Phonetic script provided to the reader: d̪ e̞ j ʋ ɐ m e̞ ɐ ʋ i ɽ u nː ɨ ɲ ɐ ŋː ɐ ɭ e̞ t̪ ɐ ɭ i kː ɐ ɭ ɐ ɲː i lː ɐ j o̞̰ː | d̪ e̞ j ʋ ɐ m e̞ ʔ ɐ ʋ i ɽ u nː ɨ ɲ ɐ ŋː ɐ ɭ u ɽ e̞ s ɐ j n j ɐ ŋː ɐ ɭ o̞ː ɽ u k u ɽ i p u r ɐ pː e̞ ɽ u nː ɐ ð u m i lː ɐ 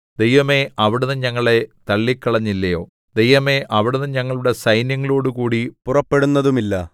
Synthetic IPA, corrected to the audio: d̪ e̞ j ʋ ɐ m e̞ ɐ ʋ i ɽ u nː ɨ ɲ ɐ ŋː ɐ ɭ e̞ t̪ ɐ ɭː i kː ɐ ɭ ɐ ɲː i lː ɐ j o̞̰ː | d̪ e̞ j ʋ ɐ m e̞ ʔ ɐ ʋ i ɽ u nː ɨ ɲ ɐ ŋː ɐ ɭ u ɽ e̞ s ɐ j n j ɐ ŋː ɐ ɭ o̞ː ɽ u k uː ɽ i p u r ɐ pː e̞ ɽ u nː ɐ ð u m i lː ɐ